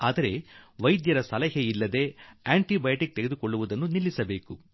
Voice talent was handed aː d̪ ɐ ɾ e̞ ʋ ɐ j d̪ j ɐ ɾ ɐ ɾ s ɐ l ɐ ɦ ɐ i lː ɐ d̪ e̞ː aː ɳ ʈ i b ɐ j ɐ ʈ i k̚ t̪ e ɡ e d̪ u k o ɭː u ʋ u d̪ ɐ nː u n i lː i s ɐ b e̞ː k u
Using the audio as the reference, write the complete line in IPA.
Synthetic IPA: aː d̪ ɐ ɾ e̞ ʋ ɐ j d̪ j ɐ ɾ ɐ s ɐ l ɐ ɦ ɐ i lː ɐ d̪ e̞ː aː ɳ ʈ i b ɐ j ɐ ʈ i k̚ t̪ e ɡ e d̪ u k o ɭː u ʋ u d̪ ɐ nː u n i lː i s ɐ b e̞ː k u